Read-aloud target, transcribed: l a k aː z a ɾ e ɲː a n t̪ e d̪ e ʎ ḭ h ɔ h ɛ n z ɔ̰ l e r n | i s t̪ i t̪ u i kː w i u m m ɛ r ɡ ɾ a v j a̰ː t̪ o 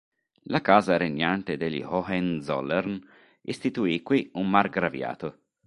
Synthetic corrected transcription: l a k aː z a ɾ e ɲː a n t̪ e d̪ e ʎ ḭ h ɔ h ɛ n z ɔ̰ l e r n | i s t̪ i t̪ u i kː w i u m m a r ɡ ɾ a v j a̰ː t̪ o